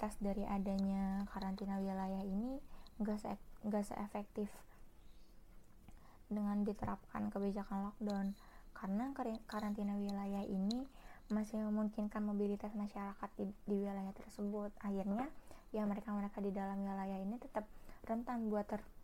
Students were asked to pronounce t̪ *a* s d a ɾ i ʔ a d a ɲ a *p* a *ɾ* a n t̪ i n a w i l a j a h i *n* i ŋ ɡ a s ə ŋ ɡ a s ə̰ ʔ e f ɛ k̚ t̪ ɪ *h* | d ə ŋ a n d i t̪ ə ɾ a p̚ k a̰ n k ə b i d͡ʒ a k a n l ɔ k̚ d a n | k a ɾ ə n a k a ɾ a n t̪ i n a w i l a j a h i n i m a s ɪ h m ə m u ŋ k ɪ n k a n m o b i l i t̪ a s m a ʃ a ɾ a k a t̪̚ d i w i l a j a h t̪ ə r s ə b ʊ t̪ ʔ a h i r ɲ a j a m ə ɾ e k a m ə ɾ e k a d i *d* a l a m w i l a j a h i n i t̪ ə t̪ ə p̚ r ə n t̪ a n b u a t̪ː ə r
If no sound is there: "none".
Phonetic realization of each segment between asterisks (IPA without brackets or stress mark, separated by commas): a, k, ɾ, n, f, d